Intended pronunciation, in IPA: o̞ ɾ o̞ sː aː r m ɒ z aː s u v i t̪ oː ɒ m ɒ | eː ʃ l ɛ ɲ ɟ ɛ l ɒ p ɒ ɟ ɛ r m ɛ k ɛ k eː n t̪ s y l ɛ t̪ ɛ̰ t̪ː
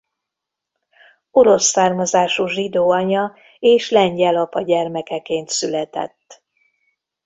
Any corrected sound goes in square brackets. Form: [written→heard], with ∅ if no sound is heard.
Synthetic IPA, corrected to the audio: o̞ ɾ o̞ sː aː r m ɒ z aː [s→ʃ] u [v→ʒ] i [t̪→d̪] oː ɒ [m→ɲ] ɒ | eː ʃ l ɛ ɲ ɟ ɛ l ɒ p ɒ ɟ ɛ r m ɛ k ɛ k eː n t̪ s y l ɛ t̪ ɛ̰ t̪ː